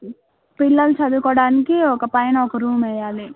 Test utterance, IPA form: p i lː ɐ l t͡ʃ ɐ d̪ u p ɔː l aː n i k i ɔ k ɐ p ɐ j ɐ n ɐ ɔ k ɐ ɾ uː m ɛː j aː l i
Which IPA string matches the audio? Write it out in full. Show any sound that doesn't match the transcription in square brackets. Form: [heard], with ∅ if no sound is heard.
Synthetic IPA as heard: p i lː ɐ l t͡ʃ ɐ d̪ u [k] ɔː [ɽ] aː n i k i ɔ k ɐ p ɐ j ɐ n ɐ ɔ k ɐ ɾ uː m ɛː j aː l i